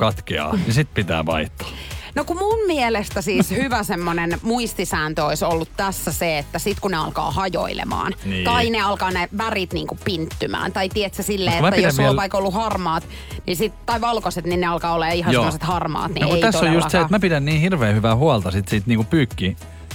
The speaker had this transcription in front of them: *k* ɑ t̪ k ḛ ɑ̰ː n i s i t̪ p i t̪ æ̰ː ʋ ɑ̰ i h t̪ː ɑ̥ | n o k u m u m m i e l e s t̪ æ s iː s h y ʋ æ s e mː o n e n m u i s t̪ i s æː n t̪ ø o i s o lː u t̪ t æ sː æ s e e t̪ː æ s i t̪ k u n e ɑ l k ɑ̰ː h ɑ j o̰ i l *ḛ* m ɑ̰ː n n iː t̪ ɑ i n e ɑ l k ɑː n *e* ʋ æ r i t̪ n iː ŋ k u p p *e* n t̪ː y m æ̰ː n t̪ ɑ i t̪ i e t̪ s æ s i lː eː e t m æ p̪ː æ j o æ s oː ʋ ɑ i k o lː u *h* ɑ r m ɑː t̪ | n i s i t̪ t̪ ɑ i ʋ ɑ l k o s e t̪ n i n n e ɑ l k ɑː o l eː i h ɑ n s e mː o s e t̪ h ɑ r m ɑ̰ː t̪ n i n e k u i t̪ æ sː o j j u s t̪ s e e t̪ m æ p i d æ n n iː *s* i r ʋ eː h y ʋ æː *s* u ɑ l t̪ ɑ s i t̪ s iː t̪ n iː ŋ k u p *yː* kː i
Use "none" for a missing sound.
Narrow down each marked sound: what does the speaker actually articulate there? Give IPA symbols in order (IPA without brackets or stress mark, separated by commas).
k, ḛ, e, i, h, h, h, yː